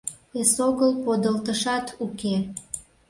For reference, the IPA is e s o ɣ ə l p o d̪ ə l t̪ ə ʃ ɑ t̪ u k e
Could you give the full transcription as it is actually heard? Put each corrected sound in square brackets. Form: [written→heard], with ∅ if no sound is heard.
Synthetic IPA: e s o ɣ ə l p o d̪ ə l t̪ ə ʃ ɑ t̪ u k e